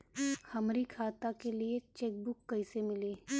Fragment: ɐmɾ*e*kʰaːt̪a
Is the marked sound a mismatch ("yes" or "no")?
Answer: yes